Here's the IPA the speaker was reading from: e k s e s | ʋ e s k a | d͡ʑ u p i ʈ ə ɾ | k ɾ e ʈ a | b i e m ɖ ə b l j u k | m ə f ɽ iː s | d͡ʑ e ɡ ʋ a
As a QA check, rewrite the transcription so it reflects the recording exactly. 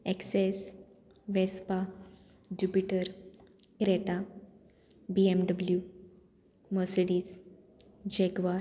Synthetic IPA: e k s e s | ʋ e s p a | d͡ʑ u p i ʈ ə ɾ | k ɾ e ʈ a | b i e m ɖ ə b l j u | m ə s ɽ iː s | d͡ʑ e ɡ ʋ a